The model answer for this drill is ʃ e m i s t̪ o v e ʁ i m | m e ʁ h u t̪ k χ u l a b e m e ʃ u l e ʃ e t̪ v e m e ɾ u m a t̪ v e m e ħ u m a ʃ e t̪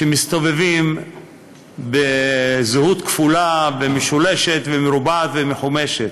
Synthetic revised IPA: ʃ e m i s t̪ o v e v i m | b e z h u t̪ k f u l a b e m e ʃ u l e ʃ e t̪ v e m e ɾ u b a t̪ v e m e ħ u m e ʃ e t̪